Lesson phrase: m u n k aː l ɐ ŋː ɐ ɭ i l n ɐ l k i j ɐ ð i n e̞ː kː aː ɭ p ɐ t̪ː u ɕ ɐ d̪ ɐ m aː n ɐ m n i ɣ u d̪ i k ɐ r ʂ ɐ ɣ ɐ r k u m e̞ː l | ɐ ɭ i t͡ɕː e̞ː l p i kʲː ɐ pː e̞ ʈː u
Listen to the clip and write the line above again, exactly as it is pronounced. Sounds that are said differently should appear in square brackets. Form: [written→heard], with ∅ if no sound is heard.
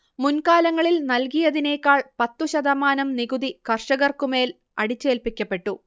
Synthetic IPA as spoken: m u n k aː l ɐ ŋː ɐ ɭ i l n ɐ l k i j ɐ ð i n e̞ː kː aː ɭ p ɐ t̪ː u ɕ ɐ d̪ ɐ m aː n ɐ m n i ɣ u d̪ i k ɐ r ʂ ɐ ɣ ɐ r k u m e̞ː l | ɐ [ɭ→ɽ] i t͡ɕː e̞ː l p i kʲː ɐ pː e̞ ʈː u